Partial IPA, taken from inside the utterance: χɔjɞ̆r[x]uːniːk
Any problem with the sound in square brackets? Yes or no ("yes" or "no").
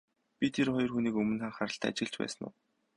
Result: no